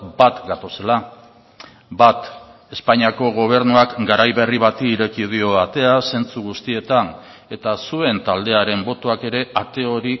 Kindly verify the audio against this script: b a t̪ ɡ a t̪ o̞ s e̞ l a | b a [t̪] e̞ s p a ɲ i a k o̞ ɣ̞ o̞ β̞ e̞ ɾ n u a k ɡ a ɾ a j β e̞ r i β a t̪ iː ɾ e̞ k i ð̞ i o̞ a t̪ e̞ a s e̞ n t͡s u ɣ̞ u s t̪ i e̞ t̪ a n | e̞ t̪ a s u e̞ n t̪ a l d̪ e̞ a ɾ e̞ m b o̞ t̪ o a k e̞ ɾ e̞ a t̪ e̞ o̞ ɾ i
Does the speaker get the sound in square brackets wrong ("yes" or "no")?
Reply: no